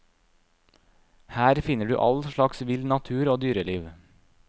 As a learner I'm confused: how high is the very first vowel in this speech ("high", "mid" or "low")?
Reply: low